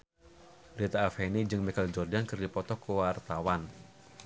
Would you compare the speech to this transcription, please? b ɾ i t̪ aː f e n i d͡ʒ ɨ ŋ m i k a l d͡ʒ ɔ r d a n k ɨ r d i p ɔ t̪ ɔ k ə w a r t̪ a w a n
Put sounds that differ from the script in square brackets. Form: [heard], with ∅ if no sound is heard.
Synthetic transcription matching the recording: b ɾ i t̪ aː f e n i d͡ʒ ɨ ŋ m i k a l d͡ʒ ɔ r d a n k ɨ r d i p ɔ t̪ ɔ k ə w a r t̪ a w a n